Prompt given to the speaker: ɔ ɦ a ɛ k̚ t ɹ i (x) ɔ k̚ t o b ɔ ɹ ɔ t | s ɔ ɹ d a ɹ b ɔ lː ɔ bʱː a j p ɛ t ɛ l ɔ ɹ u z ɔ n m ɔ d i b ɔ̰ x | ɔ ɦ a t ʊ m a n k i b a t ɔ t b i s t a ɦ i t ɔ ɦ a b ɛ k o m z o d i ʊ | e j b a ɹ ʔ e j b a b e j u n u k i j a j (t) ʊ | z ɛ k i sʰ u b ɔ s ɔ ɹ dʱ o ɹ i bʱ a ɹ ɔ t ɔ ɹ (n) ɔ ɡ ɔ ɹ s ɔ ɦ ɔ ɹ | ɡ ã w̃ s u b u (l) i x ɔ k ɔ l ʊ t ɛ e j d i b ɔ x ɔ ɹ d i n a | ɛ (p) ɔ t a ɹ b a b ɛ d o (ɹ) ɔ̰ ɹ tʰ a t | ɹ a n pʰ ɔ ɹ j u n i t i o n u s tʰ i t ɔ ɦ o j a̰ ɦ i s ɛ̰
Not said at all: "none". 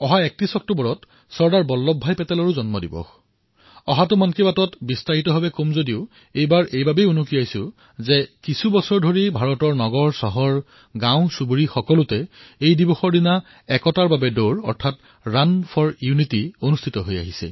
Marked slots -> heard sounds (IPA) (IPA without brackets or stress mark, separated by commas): s, s, n, ɹ, k, ɹ